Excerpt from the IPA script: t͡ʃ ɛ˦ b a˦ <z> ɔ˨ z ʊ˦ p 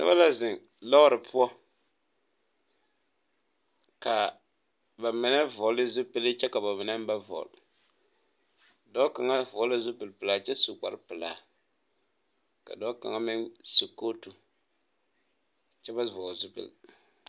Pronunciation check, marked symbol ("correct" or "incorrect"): incorrect